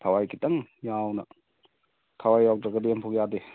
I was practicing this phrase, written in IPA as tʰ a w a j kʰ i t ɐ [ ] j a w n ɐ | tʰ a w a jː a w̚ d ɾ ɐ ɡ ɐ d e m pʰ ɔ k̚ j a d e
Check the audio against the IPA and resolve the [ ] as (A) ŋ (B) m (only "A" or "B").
A